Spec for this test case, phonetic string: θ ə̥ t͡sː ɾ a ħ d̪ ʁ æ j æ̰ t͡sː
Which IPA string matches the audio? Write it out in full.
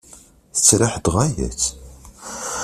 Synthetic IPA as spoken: θ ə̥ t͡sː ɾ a ħ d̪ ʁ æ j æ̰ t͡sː